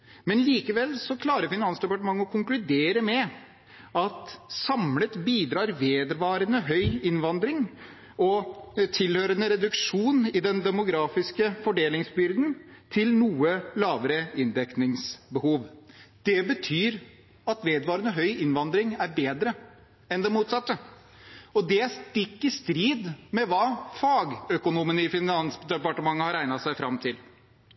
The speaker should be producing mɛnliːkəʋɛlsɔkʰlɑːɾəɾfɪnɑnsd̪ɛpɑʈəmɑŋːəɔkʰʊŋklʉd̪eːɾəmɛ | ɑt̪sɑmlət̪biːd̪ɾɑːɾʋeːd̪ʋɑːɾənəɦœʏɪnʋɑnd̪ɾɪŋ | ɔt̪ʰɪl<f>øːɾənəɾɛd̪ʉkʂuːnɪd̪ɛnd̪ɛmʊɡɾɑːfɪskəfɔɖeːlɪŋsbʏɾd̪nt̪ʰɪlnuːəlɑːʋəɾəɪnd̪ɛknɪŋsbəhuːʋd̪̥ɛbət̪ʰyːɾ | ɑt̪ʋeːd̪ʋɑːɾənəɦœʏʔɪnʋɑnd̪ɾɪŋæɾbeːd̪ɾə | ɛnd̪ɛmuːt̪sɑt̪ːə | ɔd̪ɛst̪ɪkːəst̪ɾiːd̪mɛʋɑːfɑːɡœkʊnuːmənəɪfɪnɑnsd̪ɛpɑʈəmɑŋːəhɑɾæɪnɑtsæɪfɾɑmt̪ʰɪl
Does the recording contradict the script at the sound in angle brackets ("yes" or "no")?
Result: yes